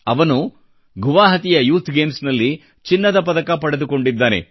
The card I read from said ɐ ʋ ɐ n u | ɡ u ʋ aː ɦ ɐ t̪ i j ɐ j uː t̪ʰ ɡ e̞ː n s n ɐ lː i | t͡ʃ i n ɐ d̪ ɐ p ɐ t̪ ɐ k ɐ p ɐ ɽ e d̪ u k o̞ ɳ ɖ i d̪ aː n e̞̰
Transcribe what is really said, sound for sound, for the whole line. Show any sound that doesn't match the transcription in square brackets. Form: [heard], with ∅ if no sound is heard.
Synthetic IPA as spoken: ɐ ʋ ɐ n u | ɡ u ʋ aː ɦ ɐ t̪ i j ɐ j uː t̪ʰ ɡ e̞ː [m] s n ɐ lː i | t͡ʃ i [nː] ɐ d̪ ɐ p ɐ [d̪] ɐ k ɐ p ɐ ɽ e d̪ u k o̞ ɳ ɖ i [d̪ː] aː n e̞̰